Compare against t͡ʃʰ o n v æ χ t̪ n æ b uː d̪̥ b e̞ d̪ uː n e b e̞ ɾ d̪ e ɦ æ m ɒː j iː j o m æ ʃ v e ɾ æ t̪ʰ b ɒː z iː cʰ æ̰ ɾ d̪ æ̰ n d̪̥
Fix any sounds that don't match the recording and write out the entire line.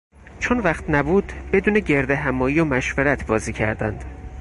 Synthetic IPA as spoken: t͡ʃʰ o n v æ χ t̪ n æ b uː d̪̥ b e̞ d̪ uː n e ɟ e̞ ɾ d̪ e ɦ æ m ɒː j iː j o m æ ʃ v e ɾ æ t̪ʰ b ɒː z iː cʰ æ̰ ɾ d̪ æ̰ n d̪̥